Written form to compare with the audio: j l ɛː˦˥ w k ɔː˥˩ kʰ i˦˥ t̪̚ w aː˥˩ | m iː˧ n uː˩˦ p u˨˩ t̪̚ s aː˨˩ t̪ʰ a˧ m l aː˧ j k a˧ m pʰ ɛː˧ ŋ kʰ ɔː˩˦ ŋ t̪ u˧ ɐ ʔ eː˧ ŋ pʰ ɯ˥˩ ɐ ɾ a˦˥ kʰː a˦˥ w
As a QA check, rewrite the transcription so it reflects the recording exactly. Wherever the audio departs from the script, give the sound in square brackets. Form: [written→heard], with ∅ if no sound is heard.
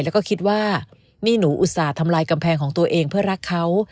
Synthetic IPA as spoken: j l [ɛː˦˥→ɛ˦˥] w k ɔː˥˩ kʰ i˦˥ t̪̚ w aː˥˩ | m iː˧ n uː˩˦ [p→ʔ] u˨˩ t̪̚ s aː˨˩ t̪ʰ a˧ m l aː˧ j k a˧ m pʰ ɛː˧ ŋ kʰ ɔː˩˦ ŋ t̪ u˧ ɐ ʔ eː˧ ŋ pʰ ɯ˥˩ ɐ ɾ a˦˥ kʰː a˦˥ w